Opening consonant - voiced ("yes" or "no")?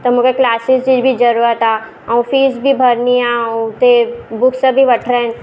no